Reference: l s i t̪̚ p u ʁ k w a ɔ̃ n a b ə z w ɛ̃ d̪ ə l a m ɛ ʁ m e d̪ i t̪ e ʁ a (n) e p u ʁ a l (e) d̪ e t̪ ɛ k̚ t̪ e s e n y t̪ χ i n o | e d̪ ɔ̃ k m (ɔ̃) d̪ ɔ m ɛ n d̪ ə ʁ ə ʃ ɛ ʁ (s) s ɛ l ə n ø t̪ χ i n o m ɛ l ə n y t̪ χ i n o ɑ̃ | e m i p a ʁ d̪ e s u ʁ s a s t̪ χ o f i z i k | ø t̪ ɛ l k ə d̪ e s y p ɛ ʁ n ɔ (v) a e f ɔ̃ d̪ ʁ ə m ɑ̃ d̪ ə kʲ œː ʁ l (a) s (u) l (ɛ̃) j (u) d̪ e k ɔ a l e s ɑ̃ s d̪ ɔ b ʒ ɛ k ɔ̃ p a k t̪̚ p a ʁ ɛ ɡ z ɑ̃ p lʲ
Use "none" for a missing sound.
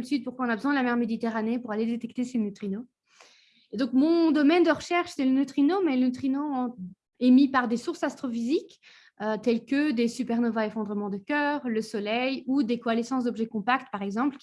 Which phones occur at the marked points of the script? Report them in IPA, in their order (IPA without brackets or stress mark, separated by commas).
n, e, ɔ̃, ʃ, v, ə, ɔ, ɛ, u